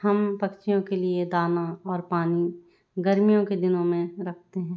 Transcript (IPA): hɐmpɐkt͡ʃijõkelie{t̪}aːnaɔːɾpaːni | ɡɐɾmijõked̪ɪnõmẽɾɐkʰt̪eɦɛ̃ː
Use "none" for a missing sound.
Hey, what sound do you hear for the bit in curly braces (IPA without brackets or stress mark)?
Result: d̪